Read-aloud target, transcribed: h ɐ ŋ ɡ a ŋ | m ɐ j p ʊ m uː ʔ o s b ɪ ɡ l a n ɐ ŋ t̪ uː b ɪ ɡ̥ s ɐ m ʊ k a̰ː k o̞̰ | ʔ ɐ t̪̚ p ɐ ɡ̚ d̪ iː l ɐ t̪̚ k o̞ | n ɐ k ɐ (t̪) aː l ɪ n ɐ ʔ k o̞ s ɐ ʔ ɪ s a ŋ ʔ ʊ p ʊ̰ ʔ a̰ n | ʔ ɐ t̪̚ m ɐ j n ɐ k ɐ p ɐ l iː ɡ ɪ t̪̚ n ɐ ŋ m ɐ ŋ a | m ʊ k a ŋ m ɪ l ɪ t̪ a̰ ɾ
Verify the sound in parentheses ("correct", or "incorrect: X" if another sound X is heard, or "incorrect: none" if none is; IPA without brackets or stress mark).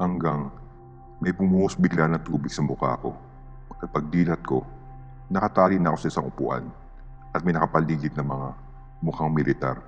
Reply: correct